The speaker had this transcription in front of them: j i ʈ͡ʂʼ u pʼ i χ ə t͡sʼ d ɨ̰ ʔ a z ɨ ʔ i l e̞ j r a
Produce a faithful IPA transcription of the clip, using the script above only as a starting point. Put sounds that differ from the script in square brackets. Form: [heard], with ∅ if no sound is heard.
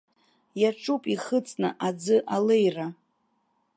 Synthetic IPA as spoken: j [a] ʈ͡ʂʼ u pʼ i χ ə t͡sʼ [n] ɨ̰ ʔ a [d͡z] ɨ ʔ [a] l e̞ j r a